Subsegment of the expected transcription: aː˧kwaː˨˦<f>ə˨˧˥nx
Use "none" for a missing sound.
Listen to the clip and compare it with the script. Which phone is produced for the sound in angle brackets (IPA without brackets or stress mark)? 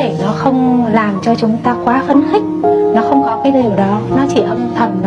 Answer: f